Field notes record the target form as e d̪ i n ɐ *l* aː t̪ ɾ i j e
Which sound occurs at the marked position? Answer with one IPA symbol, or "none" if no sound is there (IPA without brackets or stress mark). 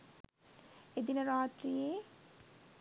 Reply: ɾ